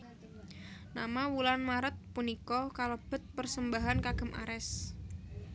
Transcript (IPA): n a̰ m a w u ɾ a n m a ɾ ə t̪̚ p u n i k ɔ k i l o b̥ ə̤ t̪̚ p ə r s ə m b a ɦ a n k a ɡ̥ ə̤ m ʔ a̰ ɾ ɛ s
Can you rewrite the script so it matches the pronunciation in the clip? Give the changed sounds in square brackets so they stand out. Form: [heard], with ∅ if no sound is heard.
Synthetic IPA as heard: n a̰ m a w u [l] a n m a ɾ ə t̪̚ p u n i k ɔ k [a] l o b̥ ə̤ t̪̚ p ə r s ə m b a ɦ a n k a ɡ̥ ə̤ m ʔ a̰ ɾ ɛ s